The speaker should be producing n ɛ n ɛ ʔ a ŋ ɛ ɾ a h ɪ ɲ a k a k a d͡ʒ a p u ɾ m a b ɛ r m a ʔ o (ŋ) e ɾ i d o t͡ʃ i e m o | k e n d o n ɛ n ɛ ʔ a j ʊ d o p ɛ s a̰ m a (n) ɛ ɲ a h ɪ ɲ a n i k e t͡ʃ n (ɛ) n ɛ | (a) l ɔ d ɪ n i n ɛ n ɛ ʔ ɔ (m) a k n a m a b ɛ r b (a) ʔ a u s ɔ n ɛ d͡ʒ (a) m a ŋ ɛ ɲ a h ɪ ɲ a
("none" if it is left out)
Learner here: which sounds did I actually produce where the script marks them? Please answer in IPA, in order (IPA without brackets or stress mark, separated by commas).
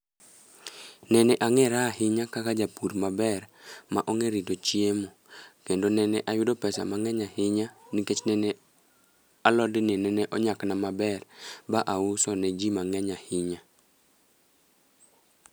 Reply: ŋ, ŋ, ɛ, a, ɲ, a, i